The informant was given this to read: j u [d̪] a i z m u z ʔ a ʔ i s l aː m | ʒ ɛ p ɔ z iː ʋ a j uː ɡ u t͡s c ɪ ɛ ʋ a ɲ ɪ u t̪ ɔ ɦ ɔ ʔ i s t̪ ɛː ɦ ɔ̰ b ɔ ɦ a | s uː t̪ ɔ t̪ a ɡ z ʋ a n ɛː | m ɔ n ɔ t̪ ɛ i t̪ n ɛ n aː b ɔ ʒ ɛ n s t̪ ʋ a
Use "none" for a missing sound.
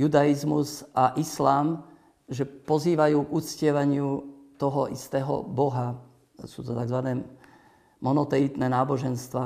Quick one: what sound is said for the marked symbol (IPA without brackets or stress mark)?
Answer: d̪